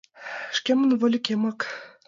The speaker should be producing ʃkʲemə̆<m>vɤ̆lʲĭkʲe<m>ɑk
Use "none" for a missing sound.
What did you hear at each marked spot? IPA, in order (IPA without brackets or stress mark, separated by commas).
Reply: n, m